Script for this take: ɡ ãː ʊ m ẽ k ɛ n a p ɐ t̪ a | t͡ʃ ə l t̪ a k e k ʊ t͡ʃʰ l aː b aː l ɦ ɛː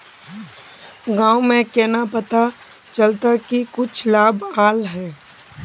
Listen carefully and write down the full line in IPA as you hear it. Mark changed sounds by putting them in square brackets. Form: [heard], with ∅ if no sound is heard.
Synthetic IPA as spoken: ɡ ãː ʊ m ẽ k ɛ n a p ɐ t̪ a | t͡ʃ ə l t̪ a k [i] k ʊ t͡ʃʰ l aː b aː l ɦ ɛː